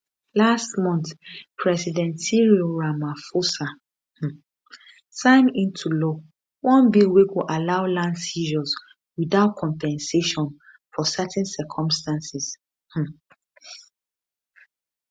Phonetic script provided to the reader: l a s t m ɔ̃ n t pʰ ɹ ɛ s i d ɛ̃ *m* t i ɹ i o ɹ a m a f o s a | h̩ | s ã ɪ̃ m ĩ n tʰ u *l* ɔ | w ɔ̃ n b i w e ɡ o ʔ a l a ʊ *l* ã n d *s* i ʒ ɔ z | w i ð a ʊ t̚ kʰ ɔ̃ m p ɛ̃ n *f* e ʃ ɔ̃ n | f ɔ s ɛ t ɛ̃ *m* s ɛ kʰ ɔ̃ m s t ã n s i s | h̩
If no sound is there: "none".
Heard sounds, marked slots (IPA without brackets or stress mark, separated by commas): n, l, l, s, s, n